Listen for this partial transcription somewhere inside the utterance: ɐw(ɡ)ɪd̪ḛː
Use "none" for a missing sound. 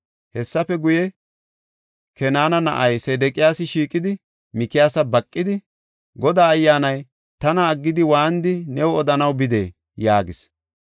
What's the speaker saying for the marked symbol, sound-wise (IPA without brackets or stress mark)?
b